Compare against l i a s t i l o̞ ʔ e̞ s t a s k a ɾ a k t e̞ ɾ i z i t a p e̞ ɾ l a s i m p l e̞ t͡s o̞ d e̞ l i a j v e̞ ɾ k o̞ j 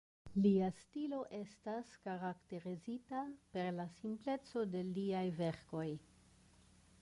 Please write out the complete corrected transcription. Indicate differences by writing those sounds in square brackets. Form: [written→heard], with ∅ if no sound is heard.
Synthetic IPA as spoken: l i a s t i l o̞ ʔ e̞ s t a s k a ɾ a k t e̞ ɾ i z i t a p e̞ ɾ l a s i m p l e̞ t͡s o̞ d e̞ l i a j v e̞ ɾ k o̞ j